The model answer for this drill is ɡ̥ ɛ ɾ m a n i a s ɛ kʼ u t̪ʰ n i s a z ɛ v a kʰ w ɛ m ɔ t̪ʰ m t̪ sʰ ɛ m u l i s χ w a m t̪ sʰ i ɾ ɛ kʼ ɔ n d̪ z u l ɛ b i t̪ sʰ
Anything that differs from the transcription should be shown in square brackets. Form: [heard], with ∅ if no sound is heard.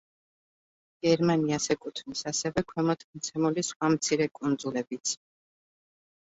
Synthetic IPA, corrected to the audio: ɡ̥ ɛ ɾ m a n i a s ɛ kʼ u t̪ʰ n i s a [s] ɛ v [ɛ] kʰ w ɛ m ɔ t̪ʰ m t̪ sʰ ɛ m u l i s χ w a m t̪ sʰ i ɾ ɛ kʼ [u] n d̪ z u l ɛ b i t̪ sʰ